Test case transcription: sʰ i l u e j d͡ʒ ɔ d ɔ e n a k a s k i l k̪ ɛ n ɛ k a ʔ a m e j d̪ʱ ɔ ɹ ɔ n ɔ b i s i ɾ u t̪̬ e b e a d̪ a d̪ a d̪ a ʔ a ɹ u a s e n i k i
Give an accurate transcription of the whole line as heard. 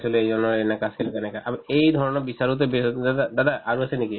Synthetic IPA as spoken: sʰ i l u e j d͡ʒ ɔ n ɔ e n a k a s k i l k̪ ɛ n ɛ k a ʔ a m e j d̪ʱ ɔ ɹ ɔ n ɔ b i s a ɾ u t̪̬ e b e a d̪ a d̪ a d̪ a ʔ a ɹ u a s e n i k i